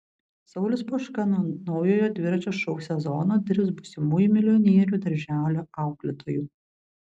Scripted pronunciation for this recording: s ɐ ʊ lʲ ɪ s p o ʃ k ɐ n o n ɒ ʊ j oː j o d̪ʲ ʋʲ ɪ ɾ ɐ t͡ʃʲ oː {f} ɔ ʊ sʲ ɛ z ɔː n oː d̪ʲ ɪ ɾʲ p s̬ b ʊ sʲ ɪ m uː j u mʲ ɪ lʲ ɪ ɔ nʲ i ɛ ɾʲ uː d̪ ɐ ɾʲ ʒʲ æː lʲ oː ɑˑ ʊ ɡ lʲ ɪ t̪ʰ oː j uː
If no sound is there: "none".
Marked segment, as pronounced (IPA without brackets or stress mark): ʃ